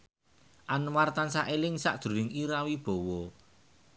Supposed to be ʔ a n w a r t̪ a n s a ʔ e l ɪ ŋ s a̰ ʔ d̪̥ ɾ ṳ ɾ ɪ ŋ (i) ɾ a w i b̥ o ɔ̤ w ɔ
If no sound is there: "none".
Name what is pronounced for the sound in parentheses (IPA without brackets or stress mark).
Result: i